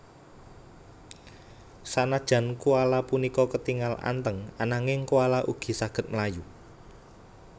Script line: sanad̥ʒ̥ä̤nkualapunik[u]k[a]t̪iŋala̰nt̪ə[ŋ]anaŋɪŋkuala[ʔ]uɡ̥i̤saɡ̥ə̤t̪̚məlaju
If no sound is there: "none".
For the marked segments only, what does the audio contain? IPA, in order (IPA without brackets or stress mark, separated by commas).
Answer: ɔ, ə, ŋ, ʔ